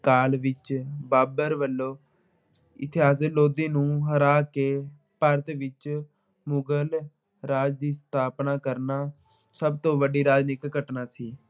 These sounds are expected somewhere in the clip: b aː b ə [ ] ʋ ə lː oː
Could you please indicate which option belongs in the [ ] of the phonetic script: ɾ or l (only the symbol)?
ɾ